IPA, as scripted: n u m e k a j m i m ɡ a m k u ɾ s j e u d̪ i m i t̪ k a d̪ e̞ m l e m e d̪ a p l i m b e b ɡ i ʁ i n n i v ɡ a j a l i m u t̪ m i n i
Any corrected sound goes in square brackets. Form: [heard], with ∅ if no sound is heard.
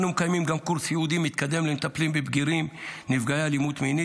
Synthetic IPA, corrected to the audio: n u m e k a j m i m ɡ a m k u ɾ s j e u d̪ i m i t̪ k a d̪ e̞ m l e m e [t̪] a p l i m b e b ɡ i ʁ i [m] n i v ɡ a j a l i m u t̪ m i n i